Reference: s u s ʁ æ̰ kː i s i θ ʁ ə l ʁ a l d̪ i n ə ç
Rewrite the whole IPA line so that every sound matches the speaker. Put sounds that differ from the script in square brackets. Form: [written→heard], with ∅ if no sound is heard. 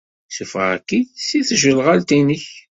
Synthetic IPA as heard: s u [s→f] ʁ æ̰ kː i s i θ [ʁ→ʒ] ə l ʁ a l [d̪→t̪] i n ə ç